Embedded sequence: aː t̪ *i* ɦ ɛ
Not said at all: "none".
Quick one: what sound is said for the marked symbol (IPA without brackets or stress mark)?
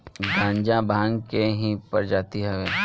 i